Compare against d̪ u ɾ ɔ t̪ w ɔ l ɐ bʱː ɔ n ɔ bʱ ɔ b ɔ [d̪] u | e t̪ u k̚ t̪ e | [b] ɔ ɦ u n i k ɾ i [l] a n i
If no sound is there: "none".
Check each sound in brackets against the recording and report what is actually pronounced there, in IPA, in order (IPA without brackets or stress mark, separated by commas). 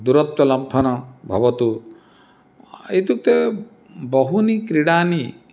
t̪, b, ɽ